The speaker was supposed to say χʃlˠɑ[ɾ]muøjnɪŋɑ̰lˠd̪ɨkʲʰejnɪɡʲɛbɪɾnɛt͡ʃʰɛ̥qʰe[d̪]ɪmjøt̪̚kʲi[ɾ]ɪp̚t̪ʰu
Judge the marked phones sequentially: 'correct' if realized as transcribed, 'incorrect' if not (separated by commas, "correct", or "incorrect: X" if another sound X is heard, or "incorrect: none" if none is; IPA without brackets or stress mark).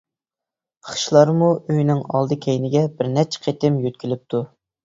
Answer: correct, incorrect: t̪, incorrect: l